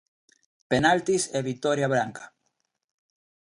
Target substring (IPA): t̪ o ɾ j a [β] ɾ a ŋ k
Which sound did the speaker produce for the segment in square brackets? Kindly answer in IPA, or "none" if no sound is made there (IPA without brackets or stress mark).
β